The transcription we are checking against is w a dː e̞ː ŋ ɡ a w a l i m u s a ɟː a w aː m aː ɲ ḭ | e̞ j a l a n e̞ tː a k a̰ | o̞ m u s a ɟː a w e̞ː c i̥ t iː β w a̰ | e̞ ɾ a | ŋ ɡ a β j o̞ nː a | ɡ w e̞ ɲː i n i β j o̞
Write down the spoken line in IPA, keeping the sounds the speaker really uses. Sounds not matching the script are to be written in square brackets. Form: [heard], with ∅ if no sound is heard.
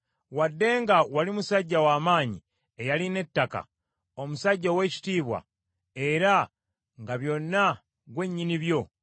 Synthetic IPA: w a dː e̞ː ŋ ɡ a w a l i m u s a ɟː a w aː m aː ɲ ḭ | e̞ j a l [i] n e̞ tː a k a̰ | o̞ m u s a ɟː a w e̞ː c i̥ t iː β w a̰ | e̞ ɾ a | ŋ ɡ a β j o̞ nː a | ɡ w e̞ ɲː i n i β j o̞